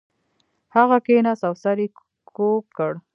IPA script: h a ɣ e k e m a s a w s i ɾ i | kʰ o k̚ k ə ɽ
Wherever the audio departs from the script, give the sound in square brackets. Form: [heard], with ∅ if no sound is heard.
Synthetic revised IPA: h a ɣ [a] k e [n] a s a w s [a] ɾ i | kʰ o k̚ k ə ɽ